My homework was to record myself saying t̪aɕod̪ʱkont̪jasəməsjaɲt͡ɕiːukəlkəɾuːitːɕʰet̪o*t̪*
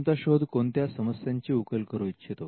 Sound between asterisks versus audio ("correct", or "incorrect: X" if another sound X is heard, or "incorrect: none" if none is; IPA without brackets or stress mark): incorrect: none